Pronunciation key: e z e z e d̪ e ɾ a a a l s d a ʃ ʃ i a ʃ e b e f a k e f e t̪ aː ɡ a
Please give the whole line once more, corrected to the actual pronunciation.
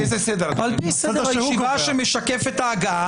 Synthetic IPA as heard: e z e s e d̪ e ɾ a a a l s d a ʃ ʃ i a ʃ e m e ʃ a k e f e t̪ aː ɡ a